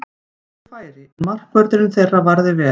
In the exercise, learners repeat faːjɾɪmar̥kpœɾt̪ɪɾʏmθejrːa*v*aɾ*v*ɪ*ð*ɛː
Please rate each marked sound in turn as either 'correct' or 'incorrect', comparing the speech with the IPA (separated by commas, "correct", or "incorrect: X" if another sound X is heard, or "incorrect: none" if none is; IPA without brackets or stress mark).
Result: correct, incorrect: ð, incorrect: v